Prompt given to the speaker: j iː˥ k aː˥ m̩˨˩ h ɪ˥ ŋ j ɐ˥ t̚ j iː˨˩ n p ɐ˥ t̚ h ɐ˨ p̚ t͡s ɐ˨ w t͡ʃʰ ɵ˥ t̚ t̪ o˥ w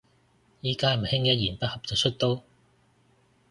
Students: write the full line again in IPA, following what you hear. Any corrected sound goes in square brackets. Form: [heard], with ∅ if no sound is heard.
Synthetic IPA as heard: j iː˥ k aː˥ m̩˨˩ h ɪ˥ ŋ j ɐ˥ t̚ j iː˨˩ n p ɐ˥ t̚ h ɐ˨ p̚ t͡s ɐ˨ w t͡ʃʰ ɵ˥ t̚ t̪ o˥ w